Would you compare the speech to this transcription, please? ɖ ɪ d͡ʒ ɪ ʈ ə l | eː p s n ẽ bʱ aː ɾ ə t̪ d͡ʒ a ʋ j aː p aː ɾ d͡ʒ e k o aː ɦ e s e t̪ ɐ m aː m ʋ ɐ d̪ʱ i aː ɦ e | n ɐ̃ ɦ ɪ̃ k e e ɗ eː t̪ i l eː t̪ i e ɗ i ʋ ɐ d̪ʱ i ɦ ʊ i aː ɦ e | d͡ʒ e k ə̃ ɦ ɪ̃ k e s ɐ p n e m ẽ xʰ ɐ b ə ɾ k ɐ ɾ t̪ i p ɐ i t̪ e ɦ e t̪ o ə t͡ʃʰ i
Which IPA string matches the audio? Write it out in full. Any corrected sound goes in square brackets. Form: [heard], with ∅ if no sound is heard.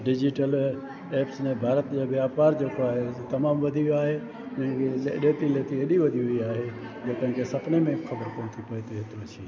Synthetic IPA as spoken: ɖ ɪ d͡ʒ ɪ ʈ ə l | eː p s n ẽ bʱ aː ɾ ə t̪ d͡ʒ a ʋ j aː p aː ɾ d͡ʒ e k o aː ɦ e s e t̪ ɐ m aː m ʋ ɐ d̪ʱ i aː ɦ e | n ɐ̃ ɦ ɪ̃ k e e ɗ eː t̪ i l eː t̪ i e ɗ i ʋ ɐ d̪ʱ i ɦ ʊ i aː ɦ e | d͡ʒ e k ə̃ ɦ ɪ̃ k e s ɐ p n e m ẽ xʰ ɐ b ə ɾ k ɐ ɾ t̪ i p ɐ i t̪ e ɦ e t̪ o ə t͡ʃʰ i